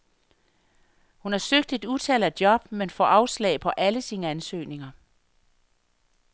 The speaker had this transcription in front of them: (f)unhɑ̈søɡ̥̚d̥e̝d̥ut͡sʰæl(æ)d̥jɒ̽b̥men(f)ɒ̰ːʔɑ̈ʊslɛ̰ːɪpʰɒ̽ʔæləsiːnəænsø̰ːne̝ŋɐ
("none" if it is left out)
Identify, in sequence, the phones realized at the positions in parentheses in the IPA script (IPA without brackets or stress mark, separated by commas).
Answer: h, æ, f